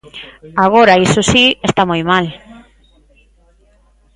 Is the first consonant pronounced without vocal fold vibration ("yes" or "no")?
no